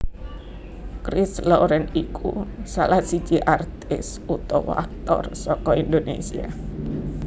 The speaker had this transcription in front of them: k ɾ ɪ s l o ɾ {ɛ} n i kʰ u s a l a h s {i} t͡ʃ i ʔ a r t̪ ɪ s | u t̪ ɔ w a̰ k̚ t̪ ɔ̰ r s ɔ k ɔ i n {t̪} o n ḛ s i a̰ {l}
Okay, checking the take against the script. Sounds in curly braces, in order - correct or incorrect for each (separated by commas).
correct, correct, incorrect, incorrect